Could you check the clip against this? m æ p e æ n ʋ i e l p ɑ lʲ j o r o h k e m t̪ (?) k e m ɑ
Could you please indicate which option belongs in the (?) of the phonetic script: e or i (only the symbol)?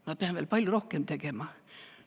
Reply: e